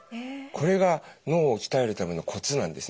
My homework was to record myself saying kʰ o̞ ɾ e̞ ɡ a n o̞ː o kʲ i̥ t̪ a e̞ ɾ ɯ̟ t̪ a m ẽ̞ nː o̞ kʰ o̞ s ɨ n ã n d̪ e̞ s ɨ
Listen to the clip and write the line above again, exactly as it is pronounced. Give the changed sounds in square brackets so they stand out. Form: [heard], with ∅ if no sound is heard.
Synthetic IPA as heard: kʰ o̞ ɾ e̞ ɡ a n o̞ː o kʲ i̥ t̪ a e̞ ɾ ɯ̟ t̪ a m [e̞] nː o̞ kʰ o̞ [t͡s] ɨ n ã n d̪ e̞ s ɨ